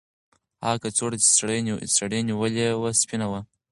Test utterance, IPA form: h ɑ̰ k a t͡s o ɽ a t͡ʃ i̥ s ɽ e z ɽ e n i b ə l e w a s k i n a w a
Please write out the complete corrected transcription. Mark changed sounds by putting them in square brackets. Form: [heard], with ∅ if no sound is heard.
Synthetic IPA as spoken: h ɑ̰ k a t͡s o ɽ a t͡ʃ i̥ s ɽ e [s] ɽ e n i [w] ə l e w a s [p] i n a w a